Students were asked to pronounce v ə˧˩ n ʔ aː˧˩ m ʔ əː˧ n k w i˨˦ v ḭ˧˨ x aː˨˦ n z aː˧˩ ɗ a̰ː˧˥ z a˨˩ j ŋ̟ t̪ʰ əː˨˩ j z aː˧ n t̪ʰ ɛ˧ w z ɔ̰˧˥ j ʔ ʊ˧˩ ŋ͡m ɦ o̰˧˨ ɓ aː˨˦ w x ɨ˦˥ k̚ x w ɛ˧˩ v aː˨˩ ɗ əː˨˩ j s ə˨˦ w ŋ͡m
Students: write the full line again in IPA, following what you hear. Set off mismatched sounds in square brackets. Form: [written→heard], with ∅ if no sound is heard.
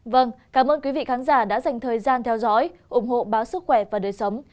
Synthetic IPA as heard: v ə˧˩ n [ʔ→k] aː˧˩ m ʔ əː˧ n k w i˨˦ v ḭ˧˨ x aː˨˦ n z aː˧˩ ɗ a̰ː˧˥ z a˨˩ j ŋ̟ t̪ʰ əː˨˩ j z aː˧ n t̪ʰ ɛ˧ w z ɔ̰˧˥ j ʔ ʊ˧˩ ŋ͡m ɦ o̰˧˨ ɓ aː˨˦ w [x→s] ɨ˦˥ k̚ x w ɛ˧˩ v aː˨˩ ɗ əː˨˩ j s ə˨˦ w ŋ͡m